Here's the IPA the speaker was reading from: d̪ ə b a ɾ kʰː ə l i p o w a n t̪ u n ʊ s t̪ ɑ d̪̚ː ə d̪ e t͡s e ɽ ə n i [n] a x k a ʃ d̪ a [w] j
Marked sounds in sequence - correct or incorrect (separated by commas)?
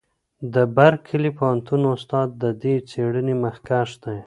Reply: incorrect, incorrect